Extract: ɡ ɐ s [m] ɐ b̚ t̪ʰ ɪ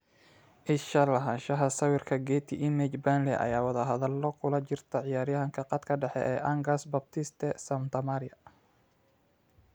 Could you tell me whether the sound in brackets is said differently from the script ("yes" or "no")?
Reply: yes